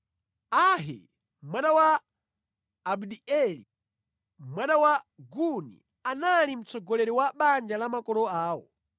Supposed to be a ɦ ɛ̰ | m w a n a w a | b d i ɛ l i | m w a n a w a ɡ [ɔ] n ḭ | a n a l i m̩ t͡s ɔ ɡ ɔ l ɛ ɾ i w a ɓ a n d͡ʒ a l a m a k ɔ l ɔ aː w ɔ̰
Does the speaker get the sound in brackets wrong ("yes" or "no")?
yes